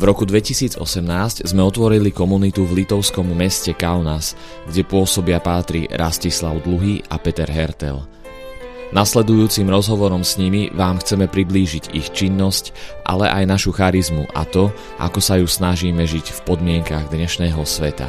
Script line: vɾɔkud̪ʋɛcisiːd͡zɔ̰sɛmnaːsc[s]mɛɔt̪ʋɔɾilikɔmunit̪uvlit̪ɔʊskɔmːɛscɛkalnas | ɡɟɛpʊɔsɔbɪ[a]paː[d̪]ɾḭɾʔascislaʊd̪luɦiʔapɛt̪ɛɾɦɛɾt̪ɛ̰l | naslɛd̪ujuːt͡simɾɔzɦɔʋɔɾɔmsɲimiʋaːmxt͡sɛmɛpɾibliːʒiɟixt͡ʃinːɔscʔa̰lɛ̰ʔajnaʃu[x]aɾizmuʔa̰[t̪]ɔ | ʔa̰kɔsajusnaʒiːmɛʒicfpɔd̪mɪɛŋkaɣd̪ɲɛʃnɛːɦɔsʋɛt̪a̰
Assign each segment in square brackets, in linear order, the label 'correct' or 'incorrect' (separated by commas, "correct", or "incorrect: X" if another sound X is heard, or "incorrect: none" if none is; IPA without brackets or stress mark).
incorrect: z, correct, incorrect: t̪, correct, correct